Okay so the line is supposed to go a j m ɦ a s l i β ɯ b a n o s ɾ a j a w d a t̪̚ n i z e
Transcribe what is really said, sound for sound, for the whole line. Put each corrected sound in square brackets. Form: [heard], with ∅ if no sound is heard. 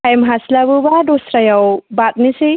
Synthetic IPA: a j m ɦ a s l [a] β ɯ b a [d] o s ɾ a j a w [b] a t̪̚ n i [s] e